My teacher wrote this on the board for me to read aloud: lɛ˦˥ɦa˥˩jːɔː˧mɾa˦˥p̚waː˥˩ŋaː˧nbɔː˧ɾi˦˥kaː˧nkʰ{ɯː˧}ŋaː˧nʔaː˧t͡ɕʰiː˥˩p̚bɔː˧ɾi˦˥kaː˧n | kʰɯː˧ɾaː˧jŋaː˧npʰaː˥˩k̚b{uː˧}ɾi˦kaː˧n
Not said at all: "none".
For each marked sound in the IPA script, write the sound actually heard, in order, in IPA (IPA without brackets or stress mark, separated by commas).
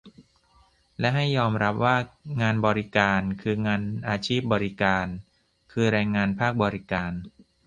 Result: ɯː˧, ɔː˧